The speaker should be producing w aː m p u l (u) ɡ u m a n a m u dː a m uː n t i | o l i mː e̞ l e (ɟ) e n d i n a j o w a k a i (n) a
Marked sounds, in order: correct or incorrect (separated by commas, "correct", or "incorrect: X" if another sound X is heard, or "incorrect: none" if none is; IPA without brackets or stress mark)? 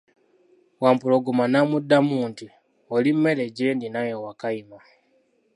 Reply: incorrect: o, correct, incorrect: m